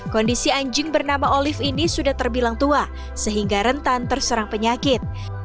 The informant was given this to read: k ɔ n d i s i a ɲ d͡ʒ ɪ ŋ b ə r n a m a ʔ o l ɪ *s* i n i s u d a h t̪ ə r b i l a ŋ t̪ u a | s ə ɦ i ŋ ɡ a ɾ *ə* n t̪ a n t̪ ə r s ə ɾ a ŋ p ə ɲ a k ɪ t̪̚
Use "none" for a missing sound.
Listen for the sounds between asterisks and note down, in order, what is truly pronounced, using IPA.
f, ə

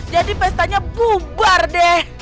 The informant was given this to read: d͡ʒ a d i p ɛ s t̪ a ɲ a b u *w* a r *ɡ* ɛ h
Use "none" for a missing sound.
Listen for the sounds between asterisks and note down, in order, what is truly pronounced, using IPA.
b, d

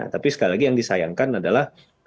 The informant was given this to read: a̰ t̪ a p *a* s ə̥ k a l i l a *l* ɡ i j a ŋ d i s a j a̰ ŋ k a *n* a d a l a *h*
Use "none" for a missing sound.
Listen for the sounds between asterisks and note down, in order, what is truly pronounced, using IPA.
i, none, n, h

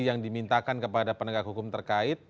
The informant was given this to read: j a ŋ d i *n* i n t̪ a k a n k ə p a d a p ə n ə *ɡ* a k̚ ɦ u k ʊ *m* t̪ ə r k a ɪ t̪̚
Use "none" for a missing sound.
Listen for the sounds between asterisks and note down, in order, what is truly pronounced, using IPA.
m, ɡ, m

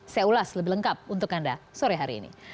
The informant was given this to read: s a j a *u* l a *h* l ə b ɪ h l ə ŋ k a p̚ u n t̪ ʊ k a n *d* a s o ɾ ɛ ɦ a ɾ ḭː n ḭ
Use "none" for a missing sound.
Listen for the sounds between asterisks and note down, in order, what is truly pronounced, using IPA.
u, s, d

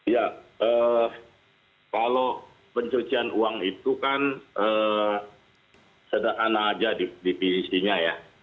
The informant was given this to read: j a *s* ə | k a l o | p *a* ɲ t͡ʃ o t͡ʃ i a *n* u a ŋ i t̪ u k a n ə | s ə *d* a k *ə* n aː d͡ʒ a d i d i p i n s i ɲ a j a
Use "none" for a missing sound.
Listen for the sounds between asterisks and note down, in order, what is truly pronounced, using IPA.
none, ə, n, d, a

